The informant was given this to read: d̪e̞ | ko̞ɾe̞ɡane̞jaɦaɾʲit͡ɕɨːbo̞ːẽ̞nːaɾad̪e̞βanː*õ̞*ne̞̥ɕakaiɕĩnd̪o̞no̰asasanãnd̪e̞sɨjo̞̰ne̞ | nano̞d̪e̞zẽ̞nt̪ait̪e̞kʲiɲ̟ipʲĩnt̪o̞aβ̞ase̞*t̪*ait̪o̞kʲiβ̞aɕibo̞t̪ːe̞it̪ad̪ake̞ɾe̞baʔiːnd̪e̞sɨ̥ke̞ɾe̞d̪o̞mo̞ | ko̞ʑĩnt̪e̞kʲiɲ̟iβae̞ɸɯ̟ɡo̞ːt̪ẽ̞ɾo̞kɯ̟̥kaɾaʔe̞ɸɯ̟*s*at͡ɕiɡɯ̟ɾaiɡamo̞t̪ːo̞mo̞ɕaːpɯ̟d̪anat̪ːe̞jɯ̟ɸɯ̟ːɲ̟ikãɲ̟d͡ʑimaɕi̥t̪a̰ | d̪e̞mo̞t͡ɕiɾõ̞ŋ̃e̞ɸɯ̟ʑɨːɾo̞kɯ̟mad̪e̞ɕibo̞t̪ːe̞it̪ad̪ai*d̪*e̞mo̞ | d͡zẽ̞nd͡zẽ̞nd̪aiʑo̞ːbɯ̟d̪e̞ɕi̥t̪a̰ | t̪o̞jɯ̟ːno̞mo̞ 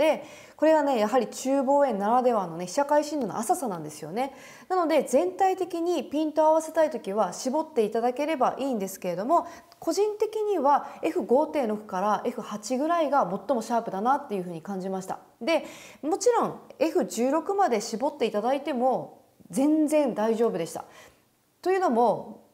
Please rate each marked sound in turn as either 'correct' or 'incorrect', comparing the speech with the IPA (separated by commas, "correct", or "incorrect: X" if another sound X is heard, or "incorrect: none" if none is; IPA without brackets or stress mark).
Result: incorrect: o̞, correct, incorrect: h, incorrect: t̪